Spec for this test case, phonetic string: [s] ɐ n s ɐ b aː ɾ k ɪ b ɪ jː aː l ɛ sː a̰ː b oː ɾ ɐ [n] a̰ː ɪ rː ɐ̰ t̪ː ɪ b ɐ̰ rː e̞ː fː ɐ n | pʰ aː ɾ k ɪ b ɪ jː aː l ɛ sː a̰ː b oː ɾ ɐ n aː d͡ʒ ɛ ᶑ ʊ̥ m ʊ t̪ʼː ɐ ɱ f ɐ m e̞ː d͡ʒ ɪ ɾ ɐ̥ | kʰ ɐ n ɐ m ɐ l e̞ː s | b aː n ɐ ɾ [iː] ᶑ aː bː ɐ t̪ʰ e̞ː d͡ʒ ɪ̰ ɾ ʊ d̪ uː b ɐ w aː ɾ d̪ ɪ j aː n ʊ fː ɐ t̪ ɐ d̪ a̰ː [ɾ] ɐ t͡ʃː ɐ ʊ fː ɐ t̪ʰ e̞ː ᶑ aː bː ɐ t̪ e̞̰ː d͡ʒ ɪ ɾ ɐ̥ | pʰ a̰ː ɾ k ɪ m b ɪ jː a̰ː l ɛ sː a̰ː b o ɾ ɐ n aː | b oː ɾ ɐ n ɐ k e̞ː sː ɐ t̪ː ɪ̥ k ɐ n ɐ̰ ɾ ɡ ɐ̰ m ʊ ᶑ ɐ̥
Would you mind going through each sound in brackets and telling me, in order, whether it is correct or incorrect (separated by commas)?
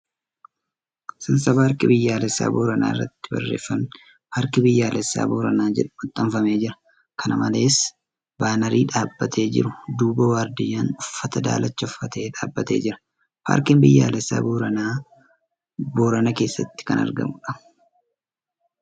correct, correct, correct, incorrect